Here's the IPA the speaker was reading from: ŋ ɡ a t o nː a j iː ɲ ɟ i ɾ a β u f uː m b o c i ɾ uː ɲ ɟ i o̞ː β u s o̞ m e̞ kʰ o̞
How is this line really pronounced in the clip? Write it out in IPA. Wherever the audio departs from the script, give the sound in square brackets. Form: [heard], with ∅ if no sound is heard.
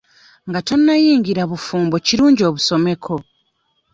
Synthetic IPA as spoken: ŋ ɡ a t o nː a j iː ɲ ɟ i ɾ a β u f uː m b o c i ɾ uː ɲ ɟ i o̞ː β u s o̞ m e̞ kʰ o̞